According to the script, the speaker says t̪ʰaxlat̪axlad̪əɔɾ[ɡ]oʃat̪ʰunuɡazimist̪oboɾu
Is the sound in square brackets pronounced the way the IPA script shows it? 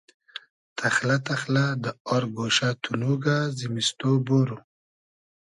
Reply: yes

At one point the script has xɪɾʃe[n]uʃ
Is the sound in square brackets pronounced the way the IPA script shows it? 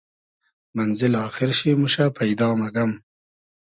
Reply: no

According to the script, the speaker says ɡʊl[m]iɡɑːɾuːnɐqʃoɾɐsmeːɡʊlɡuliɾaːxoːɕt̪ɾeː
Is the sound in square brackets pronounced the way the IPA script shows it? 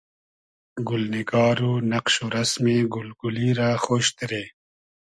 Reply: no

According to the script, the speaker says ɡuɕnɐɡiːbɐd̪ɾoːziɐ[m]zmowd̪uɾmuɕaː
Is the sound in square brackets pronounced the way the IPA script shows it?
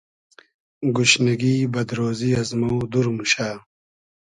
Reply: no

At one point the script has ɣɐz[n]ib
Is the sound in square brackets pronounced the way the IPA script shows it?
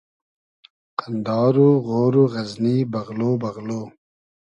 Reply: yes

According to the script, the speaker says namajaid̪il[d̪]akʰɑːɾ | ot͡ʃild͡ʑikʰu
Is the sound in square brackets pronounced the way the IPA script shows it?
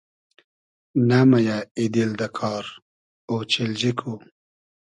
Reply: yes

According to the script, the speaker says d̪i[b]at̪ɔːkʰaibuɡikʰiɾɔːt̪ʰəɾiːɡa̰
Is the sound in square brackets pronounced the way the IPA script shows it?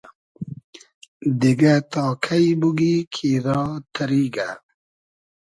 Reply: no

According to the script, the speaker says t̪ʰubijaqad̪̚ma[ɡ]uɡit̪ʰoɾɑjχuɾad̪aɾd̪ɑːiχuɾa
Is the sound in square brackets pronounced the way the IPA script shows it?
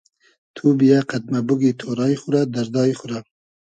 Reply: no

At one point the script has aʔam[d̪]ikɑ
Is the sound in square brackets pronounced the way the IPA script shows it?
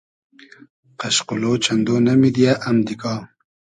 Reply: yes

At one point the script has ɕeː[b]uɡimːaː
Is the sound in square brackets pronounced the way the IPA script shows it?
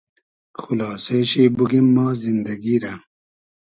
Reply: yes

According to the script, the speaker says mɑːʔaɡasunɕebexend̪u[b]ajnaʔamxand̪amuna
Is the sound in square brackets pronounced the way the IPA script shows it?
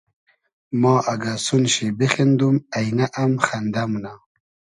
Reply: no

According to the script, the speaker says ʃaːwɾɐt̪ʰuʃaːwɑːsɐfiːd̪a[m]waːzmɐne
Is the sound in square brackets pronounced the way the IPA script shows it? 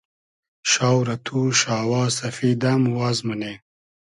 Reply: yes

